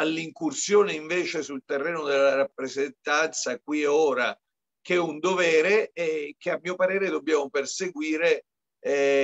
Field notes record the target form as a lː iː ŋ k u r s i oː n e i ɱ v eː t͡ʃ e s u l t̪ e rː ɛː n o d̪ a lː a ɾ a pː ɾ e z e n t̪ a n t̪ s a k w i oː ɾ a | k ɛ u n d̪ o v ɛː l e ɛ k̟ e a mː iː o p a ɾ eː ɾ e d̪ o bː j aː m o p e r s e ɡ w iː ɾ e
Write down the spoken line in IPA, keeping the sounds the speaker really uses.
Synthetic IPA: a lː i ŋ k u r s j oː n e i ɱ v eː t͡ʃ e s u l t̪ e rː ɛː n o d̪ e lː a ɾ a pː ɾ e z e n t̪ a n t̪ s a k w i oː ɾ a | k ɛ u n d̪ o v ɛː ɾ e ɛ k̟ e a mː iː o p a ɾ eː ɾ e d̪ o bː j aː m o p e r s e ɡ w iː ɾ e